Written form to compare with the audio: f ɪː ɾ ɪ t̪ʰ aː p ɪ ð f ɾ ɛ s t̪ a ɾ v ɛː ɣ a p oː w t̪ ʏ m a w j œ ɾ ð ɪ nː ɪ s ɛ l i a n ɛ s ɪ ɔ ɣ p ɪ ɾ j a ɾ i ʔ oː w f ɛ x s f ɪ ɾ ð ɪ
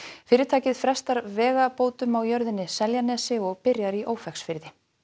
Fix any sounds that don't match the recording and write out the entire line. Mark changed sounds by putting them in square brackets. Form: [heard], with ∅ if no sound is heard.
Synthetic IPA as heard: f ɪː ɾ ɪ t̪ʰ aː [c] ɪ ð f ɾ ɛ s t̪ a ɾ v ɛː ɣ a p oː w t̪ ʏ m a w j œ ɾ ð ɪ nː ɪ s ɛ l [j] a n ɛ s ɪ ɔ ɣ p ɪ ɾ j a ɾ i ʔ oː w f ɛ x s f ɪ ɾ ð ɪ